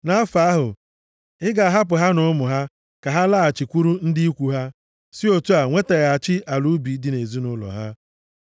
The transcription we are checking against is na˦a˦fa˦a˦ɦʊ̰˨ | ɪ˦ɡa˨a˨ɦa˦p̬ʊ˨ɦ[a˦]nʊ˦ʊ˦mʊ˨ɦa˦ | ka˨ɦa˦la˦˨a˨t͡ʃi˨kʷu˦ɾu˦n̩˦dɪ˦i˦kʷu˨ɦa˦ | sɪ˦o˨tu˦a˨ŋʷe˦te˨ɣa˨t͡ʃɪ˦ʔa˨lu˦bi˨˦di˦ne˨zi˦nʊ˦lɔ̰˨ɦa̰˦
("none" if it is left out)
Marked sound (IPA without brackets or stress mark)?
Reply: a˦